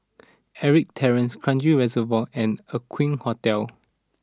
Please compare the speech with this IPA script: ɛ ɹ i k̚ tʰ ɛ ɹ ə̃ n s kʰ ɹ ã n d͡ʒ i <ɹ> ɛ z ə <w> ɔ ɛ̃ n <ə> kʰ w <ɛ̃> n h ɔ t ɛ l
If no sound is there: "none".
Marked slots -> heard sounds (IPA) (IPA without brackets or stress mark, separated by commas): ɹ, v, ə, ĩ